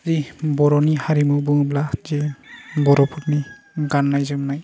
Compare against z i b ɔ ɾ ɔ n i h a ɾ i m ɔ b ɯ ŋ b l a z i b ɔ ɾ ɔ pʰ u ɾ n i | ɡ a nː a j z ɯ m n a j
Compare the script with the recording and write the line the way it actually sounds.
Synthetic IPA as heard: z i b ɔ ɾ ɔ n i h a ɾ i m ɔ b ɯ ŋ b l a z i b ɔ ɾ ɔ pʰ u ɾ n i | ɡ a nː a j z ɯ m n a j